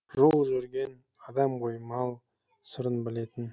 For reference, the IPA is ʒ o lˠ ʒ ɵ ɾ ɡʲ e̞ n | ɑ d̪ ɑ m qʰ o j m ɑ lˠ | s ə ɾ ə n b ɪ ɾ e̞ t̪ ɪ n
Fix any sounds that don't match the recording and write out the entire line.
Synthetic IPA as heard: ʒ o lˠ ʒ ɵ ɾ ɡʲ e̞ n | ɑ d̪ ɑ m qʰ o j m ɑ lˠ | s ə ɾ ə n b ɪ l e̞ t̪ ɪ n